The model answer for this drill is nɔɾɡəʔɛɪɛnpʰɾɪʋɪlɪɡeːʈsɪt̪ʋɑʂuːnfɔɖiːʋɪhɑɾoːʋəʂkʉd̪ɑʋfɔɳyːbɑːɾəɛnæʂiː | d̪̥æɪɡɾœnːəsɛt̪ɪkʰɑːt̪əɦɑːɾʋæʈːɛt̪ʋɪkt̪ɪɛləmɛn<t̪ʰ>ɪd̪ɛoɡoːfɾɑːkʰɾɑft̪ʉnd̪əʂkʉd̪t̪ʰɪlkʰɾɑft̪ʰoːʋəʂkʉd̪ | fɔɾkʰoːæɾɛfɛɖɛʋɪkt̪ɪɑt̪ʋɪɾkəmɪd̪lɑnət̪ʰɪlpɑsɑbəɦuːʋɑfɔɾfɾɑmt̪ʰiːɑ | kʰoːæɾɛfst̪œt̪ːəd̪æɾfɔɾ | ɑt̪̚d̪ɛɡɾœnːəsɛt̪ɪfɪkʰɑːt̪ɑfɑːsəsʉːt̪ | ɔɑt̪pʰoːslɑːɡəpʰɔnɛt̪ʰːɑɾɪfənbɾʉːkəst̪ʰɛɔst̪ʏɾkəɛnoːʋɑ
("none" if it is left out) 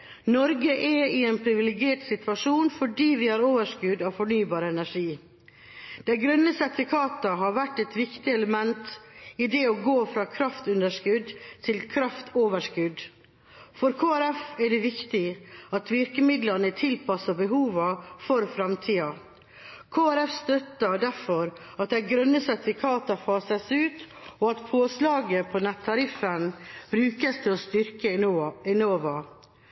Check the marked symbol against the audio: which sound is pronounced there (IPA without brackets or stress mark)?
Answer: t̪